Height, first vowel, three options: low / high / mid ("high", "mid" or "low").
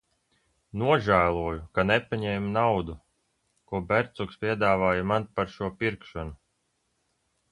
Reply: high